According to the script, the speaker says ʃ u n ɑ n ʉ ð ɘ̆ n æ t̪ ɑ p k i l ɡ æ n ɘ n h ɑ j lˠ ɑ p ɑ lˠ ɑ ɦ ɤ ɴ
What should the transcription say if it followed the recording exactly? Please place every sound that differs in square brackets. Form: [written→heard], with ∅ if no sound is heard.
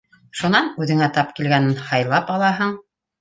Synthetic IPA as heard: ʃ u n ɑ n ʉ ð ɘ̆ [n→ŋ] æ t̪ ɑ p k i l ɡ æ n ɘ n h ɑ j lˠ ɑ p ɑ lˠ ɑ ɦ ɤ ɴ